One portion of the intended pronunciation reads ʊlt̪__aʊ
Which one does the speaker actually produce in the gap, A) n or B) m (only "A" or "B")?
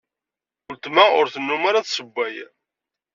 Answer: B